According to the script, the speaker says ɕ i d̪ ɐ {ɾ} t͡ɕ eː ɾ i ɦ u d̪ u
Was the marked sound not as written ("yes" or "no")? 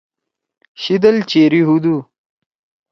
yes